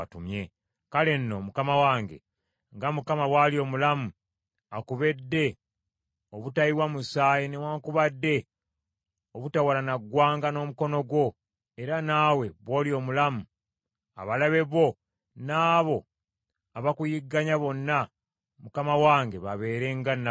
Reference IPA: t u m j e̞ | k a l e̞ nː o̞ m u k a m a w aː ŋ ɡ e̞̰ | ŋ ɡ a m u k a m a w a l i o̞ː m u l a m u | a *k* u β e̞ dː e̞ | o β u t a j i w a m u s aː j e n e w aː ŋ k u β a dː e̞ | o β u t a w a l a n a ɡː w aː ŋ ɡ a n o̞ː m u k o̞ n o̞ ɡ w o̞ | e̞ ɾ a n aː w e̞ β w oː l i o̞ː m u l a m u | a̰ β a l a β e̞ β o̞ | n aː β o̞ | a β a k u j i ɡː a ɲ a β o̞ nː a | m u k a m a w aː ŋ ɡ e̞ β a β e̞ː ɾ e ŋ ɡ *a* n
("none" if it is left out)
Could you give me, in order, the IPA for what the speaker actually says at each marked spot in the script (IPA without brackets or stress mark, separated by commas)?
k, a